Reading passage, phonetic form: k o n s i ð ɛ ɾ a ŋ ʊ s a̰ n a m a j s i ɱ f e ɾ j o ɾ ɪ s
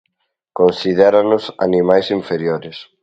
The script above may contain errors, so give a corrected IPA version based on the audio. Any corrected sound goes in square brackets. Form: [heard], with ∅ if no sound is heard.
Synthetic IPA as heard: k o n s i ð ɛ ɾ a [n] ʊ s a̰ n [i] m a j s i ɱ f e ɾ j o ɾ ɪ s

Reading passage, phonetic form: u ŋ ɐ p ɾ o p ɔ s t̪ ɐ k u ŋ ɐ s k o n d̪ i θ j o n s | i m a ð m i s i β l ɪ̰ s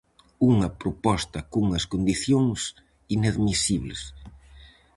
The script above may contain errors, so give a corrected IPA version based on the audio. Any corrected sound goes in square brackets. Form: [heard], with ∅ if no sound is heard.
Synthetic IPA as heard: u ŋ ɐ p ɾ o p ɔ s t̪ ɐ k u ŋ ɐ s k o n d̪ i θ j o [ŋ] s | i [n] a ð m i s i β l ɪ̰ s

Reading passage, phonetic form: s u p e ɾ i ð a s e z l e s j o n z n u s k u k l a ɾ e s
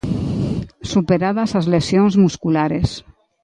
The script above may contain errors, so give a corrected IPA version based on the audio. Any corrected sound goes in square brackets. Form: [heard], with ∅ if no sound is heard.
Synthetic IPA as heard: s u p e ɾ [a] ð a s [a] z l e s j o n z [m] u s k u [∅] l a ɾ e s

